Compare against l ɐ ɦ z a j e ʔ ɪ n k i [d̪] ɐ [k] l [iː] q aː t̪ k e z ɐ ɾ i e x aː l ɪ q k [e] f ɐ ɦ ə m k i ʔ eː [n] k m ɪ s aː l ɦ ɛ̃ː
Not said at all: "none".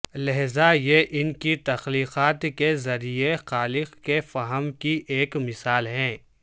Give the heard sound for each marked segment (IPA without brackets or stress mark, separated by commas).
t̪, x, iː, e, none